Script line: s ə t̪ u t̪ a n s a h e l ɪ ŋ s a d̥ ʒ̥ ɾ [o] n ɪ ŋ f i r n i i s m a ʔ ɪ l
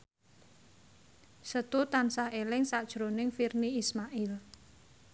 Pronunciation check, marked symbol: correct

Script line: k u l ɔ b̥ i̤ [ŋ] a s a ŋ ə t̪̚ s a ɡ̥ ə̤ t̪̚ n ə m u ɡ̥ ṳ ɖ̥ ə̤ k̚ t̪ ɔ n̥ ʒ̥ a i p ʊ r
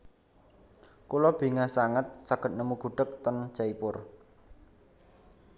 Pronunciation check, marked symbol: correct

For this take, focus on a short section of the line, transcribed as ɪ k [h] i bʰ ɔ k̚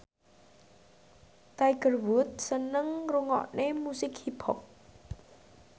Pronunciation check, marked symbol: correct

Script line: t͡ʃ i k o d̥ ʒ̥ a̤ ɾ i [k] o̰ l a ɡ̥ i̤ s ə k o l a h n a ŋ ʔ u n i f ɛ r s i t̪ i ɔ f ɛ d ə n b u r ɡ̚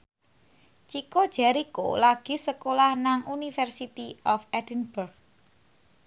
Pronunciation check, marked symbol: correct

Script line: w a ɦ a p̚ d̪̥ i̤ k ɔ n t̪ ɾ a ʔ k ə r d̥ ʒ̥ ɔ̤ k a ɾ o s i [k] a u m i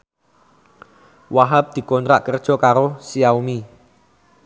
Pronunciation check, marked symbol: incorrect: none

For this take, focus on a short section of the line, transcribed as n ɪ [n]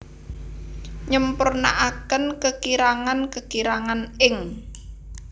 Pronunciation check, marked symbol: incorrect: ŋ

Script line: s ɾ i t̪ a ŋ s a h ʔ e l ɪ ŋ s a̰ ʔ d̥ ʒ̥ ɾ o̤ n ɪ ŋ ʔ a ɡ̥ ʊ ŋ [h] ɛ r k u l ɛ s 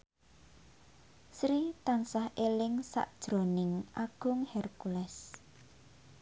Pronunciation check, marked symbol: correct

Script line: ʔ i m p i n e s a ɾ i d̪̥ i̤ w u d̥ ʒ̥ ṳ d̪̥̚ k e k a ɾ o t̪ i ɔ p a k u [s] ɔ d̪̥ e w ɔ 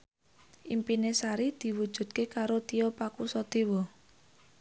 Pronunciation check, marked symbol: correct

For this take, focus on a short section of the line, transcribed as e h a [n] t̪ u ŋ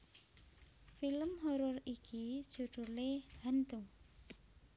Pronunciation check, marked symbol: correct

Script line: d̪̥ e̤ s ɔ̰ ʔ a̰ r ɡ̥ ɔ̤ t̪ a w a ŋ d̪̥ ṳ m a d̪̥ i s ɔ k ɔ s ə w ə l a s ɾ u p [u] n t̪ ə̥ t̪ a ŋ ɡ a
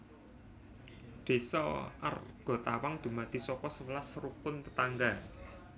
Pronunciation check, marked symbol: incorrect: ʊ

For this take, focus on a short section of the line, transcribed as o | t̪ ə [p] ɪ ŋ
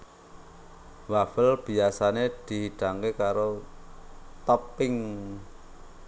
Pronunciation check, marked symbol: correct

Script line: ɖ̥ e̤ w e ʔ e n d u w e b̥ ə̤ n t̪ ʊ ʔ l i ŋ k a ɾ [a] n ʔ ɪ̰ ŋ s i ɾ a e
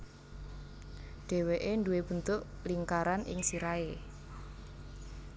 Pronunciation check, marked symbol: correct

